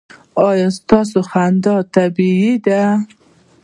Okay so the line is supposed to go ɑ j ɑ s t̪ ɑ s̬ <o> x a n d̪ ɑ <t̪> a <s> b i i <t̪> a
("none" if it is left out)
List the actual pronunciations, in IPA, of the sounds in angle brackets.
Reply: o, t̪, none, d̪

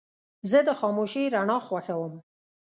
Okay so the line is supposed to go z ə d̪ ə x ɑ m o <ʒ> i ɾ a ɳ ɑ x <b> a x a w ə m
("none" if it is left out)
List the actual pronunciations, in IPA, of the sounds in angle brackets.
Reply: ʃ, w

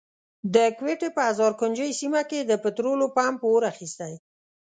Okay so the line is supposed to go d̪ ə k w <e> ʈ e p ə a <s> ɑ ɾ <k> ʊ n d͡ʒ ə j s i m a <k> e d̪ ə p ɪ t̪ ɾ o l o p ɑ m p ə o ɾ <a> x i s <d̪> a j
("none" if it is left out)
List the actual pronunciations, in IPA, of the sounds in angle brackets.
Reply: e, z, k, k, a, t̪

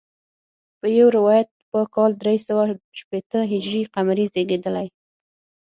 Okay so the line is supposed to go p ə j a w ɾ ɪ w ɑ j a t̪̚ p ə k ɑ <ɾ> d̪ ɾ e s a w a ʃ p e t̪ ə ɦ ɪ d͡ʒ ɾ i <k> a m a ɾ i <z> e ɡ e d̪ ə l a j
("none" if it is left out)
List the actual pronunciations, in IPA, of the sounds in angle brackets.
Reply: l, q, z

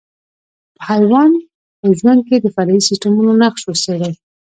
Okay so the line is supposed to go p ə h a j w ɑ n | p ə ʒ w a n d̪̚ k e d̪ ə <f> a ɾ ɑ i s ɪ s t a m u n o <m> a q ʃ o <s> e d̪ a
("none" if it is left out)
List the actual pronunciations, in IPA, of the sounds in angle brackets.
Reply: f, n, s

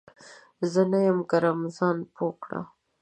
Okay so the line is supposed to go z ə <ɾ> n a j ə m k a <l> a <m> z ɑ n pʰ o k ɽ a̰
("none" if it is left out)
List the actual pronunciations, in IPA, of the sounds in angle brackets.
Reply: none, ɾ, m

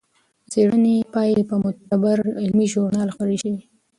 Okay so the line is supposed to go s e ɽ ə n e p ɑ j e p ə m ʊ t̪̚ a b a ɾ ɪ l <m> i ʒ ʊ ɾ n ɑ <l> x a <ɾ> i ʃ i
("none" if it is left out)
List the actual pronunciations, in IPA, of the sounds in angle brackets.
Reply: m, l, ɾ

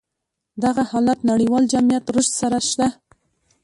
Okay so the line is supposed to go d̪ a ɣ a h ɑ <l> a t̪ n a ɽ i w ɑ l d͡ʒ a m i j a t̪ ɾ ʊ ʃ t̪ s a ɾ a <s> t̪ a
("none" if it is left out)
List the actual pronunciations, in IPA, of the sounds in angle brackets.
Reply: l, ʃ

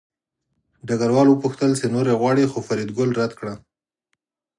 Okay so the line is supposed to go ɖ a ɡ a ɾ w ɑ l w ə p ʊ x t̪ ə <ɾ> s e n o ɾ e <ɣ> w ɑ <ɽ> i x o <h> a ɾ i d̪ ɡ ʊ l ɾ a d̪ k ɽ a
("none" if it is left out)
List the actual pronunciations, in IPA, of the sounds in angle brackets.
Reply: l, ɣ, ɽ, f

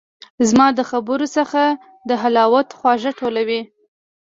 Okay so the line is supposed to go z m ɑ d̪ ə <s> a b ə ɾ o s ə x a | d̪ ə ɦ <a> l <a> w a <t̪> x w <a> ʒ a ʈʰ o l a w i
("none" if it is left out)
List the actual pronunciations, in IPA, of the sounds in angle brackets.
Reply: x, a, ɑ, t̪, ɑ

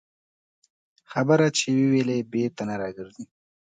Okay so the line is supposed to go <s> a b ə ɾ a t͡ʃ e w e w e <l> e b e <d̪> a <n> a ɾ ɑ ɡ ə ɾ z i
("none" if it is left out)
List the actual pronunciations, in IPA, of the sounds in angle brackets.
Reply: x, l, t̪, n

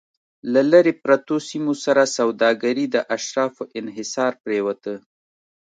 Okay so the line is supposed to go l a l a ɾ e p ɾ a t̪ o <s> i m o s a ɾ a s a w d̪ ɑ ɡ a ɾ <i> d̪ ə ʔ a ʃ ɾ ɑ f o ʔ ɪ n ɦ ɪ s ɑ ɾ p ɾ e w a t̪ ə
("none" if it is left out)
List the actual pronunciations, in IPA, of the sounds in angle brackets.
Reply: s, i

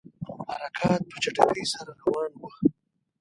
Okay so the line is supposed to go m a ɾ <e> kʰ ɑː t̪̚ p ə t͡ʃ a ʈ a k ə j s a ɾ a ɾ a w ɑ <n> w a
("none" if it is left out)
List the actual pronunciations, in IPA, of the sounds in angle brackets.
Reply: a, n

